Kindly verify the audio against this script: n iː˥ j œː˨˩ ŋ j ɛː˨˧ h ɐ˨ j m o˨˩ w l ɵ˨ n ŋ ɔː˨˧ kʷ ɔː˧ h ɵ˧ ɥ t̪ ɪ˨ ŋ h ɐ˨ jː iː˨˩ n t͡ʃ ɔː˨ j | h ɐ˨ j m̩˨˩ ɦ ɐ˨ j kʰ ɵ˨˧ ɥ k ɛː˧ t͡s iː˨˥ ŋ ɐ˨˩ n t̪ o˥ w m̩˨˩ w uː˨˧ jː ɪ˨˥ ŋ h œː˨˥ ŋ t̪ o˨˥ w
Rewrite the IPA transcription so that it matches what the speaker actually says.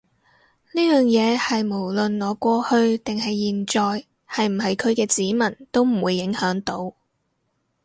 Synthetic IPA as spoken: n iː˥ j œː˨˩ ŋ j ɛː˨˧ h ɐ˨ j m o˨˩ w l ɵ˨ n ŋ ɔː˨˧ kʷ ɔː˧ h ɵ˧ ɥ t̪ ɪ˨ ŋ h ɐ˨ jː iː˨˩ n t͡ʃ ɔː˨ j | h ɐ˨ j m̩˨˩ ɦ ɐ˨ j kʰ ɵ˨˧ ɥ k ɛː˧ t͡s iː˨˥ m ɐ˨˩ n t̪ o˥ w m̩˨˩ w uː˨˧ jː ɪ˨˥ ŋ h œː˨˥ ŋ t̪ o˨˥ w

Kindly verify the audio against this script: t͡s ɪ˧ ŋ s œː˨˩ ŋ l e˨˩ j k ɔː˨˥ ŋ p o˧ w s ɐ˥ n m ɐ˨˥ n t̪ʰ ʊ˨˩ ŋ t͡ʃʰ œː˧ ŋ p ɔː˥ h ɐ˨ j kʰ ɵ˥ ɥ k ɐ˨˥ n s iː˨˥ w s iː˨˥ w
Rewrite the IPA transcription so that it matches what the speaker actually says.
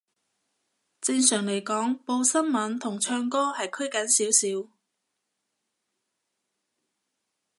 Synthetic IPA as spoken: t͡s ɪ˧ ŋ s œː˨˩ ŋ l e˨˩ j k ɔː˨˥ ŋ p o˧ w s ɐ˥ n m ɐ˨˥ n t̪ʰ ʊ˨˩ ŋ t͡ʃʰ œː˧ ŋ k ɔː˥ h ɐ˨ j kʰ ɵ˥ ɥ k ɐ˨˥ n s iː˨˥ w s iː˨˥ w

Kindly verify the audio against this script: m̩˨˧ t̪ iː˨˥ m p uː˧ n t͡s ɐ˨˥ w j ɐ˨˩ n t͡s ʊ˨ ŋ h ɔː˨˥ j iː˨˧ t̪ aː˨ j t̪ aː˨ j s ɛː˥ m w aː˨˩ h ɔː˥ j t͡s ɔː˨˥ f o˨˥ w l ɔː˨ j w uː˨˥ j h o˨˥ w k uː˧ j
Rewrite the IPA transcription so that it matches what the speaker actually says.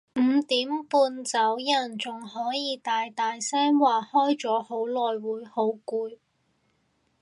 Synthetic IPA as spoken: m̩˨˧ t̪ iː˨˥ m p uː˧ n t͡s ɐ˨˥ w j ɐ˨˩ n t͡s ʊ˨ ŋ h ɔː˨˥ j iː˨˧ t̪ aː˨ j t̪ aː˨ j s ɛː˥ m w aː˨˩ h ɔː˥ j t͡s ɔː˨˥ h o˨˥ w l ɔː˨ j w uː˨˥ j h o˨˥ w k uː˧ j

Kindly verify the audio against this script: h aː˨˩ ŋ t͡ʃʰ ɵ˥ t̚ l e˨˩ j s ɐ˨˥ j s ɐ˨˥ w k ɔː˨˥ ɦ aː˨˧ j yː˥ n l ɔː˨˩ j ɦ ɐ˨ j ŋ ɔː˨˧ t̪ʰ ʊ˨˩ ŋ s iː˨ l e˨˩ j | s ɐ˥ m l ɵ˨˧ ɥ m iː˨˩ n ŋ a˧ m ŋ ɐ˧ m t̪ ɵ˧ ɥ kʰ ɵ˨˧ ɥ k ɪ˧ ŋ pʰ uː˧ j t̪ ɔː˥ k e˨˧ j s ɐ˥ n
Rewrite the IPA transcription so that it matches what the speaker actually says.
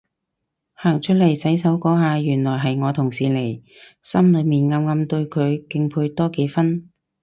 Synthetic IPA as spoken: h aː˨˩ ŋ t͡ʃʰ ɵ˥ t̚ l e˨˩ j s ɐ˨˥ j s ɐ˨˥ w k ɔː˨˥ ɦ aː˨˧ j yː˨˩ n l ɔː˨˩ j ɦ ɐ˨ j ŋ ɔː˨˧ t̪ʰ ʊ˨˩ ŋ s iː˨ l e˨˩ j | s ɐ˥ m l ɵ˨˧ ɥ m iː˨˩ n ŋ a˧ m ŋ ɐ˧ m t̪ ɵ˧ ɥ kʰ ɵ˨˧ ɥ k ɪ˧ ŋ pʰ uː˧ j t̪ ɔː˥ k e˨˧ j f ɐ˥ n

